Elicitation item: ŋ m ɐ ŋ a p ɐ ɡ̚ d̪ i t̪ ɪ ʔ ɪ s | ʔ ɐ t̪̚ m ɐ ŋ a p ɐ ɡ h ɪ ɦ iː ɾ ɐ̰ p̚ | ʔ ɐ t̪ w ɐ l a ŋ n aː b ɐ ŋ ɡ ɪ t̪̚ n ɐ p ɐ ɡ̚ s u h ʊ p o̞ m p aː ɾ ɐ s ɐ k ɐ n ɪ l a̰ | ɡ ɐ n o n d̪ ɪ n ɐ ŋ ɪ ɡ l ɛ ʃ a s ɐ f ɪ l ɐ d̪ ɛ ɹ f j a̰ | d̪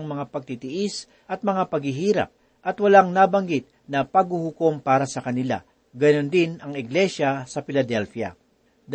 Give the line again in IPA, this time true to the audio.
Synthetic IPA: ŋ m ɐ ŋ a p ɐ ɡ̚ t̪ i t̪ ɪ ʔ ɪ s | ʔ ɐ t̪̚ m ɐ ŋ a p ɐ ɡ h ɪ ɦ iː ɾ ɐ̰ p̚ | ʔ ɐ t̪ w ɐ l a ŋ n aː b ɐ ŋ ɡ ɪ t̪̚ n ɐ p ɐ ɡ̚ h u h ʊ k o̞ m p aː ɾ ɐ s ɐ k ɐ n ɪ l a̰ | ɡ ɐ n o n d̪ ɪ n ɐ ŋ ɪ ɡ l ɛ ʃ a s ɐ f ɪ l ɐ d̪ ɛ l f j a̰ | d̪